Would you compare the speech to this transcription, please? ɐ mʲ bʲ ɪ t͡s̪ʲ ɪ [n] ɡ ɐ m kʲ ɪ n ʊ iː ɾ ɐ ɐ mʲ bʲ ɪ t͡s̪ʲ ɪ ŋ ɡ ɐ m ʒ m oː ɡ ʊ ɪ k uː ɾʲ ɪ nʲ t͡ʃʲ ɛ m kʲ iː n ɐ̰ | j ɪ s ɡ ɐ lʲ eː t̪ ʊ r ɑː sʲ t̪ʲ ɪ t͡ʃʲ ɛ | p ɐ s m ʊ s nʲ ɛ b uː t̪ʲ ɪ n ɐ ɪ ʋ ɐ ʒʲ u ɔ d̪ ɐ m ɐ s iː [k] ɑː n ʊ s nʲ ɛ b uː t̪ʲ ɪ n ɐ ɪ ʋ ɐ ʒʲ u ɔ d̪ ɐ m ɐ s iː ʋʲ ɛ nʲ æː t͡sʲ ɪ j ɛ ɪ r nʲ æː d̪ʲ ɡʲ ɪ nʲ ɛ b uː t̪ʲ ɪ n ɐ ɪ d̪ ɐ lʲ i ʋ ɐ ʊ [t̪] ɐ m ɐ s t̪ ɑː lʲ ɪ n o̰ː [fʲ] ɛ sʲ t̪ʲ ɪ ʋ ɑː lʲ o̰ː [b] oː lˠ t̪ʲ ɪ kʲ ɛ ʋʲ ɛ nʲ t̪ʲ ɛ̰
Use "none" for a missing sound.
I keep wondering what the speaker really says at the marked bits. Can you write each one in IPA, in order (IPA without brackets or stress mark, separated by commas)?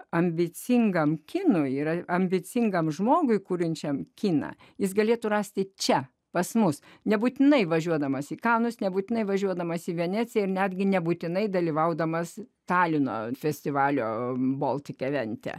ŋ, k, d̪, fʲ, b